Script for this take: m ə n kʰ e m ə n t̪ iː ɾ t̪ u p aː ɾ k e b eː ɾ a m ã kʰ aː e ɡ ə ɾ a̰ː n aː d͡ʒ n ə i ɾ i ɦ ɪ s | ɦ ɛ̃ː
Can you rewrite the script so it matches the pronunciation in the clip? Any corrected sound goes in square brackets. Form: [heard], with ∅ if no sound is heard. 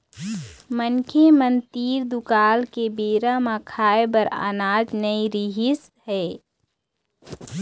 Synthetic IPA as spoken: m ə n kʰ e m ə n t̪ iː ɾ [d̪] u [k] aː [l] k e b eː ɾ a m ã kʰ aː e [b] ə ɾ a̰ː n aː d͡ʒ n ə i ɾ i ɦ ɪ s | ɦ [ɛː]